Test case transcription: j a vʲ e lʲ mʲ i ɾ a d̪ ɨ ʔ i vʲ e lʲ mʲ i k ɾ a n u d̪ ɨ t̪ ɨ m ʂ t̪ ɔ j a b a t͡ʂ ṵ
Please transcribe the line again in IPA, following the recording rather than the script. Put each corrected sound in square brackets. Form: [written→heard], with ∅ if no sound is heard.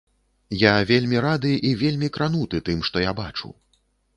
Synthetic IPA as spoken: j a vʲ e lʲ mʲ i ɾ a d̪ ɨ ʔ i vʲ e lʲ mʲ i k ɾ a n u [d̪→t̪] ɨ t̪ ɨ m ʂ t̪ ɔ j a b a t͡ʂ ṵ